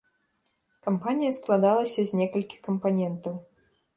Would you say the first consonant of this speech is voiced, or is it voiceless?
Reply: voiceless